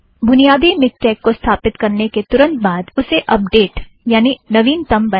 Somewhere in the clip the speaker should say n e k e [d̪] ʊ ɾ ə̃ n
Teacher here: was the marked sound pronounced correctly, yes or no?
no